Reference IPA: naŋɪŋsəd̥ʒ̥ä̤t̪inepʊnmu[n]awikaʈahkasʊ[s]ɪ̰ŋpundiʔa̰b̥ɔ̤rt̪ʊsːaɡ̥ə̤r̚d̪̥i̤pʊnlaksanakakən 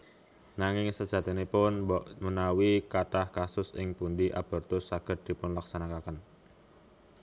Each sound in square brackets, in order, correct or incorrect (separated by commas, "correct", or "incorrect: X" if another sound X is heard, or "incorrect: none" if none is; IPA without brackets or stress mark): correct, correct